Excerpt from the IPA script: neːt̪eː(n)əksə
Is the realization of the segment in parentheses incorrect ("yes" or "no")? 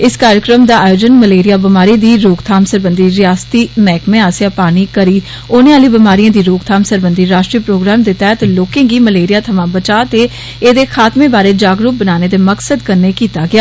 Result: yes